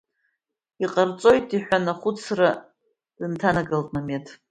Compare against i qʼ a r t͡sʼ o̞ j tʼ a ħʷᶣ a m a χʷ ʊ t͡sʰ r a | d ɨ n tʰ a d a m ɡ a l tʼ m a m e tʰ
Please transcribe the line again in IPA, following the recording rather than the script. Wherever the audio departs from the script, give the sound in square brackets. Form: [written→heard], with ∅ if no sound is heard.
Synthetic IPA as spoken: i qʼ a r t͡sʼ o̞ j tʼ [a→i] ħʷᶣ a [m→n] a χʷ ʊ t͡sʰ r a | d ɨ n tʰ a [d→n] a [m→∅] ɡ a l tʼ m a m e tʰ